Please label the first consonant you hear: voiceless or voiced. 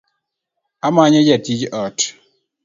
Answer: voiced